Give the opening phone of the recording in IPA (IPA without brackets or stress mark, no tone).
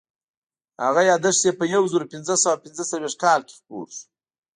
h